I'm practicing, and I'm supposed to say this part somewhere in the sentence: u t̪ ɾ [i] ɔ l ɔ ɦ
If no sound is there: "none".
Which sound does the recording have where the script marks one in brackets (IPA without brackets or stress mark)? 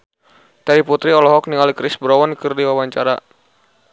i